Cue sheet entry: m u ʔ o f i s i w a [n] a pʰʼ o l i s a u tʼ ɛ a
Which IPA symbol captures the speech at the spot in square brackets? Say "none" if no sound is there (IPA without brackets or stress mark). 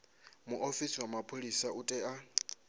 m